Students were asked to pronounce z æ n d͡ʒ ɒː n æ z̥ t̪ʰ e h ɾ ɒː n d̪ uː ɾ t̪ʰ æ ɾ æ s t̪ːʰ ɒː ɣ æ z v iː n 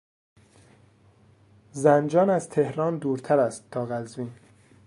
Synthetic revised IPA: z æ n d͡ʒ ɒː n æ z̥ t̪ʰ e h ɾ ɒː n d̪ uː ɾ t̪ʰ æ ɾ æ s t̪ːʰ ɒː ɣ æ z v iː n